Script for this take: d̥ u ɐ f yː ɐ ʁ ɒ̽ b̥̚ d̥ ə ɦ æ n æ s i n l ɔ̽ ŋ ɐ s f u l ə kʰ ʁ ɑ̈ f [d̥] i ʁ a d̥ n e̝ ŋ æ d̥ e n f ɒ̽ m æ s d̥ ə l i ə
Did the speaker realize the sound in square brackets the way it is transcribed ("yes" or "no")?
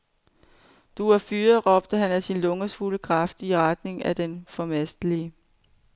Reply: yes